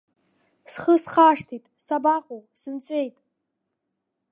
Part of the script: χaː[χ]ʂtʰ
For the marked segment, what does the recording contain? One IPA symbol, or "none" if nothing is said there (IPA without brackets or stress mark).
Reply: none